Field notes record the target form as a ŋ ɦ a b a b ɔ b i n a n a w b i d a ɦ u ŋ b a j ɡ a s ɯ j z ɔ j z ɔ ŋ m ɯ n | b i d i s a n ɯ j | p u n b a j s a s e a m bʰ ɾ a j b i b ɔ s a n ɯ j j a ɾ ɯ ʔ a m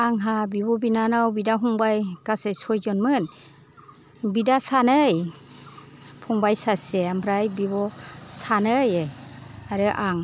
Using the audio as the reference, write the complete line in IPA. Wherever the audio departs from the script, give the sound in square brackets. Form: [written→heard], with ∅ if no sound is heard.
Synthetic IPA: a ŋ ɦ a b [a→i] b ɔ b i n a n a w b i d a ɦ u ŋ b a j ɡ a s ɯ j [z→s] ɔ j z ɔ [ŋ→n] m ɯ n | b i d [i→a] s a n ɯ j | [p→pʰ] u [n→ŋ] b a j s a s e a m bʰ ɾ a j b i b ɔ s a n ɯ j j a ɾ ɯ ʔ a [m→ŋ]